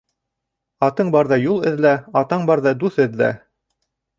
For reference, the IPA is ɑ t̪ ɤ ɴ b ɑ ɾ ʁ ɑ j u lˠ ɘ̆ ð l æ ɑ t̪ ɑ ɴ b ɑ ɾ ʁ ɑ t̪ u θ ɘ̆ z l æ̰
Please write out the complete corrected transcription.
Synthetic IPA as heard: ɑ t̪ ɤ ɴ b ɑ ɾ ð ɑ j u lˠ ɘ̆ ð l æ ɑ t̪ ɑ ɴ b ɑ ɾ ð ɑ d̪ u θ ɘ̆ ð l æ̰